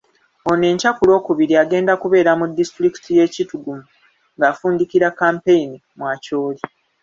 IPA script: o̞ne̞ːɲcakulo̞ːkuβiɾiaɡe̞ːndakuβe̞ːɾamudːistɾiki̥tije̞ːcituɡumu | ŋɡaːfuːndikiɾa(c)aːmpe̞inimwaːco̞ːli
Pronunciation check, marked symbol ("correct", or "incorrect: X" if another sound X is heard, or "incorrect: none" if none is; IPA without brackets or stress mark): incorrect: k